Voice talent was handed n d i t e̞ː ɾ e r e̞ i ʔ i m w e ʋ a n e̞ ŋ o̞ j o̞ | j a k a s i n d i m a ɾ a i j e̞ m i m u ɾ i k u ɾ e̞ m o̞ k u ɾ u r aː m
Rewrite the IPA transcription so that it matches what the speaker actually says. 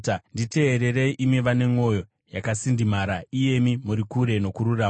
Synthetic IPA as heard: n d i t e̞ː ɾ e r e̞ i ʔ i m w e ʋ a n e̞ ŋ o̞ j o̞ | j a k a s i n d i m a ɾ a i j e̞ m i m u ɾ i k u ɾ e̞ n o̞ k u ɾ u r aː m